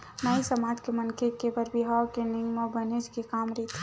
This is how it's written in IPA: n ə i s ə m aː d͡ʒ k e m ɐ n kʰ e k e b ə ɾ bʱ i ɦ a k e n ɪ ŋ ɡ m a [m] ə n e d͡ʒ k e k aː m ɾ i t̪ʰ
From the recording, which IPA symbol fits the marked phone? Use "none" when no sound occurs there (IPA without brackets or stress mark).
b